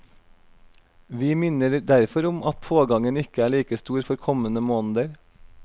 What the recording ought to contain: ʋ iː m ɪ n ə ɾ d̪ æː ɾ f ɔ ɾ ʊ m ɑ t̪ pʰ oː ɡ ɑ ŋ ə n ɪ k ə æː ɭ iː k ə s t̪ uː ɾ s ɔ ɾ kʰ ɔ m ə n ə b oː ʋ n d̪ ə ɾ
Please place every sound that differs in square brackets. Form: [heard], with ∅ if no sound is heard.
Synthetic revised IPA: ʋ iː m ɪ n ə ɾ d̪ [æ] ɾ f ɔ ɾ ʊ m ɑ t̪ pʰ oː ɡ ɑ ŋ ə n ɪ k ə æː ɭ iː k ə s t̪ uː ɾ [f] ɔ ɾ kʰ ɔ m ə n ə [m] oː [∅] n d̪ ə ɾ